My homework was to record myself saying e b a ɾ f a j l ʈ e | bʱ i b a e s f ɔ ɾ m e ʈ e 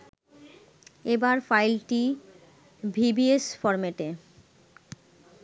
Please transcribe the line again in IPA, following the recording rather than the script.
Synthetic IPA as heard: e b a ɾ f a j l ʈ i | bʱ i b i e s f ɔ ɾ m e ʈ e